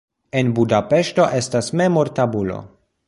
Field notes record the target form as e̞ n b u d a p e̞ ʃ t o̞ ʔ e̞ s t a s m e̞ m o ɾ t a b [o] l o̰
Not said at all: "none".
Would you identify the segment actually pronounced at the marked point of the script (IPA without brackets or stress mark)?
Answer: u